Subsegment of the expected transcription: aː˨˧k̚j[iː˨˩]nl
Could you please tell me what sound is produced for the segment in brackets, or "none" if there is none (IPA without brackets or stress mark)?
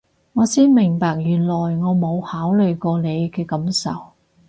yː˨˩